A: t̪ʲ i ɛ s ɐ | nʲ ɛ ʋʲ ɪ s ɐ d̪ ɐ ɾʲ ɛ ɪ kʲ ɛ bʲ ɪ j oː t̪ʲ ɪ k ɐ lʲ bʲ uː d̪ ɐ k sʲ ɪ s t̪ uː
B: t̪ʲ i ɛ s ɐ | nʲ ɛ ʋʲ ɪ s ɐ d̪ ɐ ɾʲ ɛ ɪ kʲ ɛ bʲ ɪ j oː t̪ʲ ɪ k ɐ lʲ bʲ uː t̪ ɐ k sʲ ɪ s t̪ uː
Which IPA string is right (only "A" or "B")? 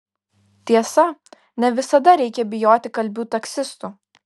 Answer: B